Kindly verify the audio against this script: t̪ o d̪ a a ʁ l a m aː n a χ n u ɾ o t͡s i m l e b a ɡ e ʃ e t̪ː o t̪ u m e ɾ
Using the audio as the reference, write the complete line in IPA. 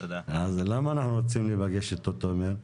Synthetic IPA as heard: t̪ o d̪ a a z l a m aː n a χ n u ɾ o t͡s i m l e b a ɡ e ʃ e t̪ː o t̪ o m e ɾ